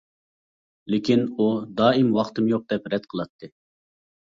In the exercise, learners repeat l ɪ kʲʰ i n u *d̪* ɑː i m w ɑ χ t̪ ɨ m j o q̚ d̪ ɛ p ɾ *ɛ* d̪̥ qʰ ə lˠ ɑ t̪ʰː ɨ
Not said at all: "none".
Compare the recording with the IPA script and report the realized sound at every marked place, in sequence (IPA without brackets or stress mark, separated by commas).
d̪, ɛ